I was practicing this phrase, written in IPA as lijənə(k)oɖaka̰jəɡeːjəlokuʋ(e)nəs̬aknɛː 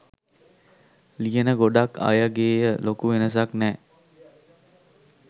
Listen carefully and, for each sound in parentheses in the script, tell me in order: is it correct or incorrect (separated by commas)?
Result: incorrect, correct